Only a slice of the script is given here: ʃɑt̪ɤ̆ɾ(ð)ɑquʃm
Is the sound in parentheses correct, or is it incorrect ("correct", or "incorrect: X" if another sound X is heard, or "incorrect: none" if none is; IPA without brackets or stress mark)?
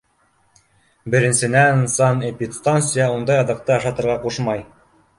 incorrect: ʁ